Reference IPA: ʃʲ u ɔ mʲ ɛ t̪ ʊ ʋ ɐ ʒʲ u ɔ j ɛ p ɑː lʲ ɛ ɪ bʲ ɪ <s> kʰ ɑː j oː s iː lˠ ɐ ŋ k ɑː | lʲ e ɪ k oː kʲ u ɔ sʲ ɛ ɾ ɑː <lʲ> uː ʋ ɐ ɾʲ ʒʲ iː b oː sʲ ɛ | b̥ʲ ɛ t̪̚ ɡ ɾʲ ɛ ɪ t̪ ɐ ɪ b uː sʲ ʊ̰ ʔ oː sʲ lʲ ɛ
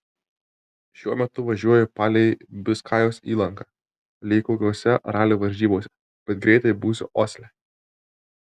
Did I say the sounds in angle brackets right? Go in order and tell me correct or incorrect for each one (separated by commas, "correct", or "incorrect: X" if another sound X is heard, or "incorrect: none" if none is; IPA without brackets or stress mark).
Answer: correct, correct